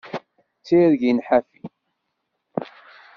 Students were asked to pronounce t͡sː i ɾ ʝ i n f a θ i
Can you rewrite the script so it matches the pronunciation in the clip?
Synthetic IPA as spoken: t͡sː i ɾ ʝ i n ħ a f i